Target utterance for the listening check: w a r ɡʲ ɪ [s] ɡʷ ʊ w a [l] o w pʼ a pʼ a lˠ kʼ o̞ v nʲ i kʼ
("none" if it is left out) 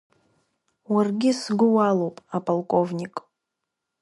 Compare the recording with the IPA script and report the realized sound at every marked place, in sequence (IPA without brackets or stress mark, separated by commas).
s, l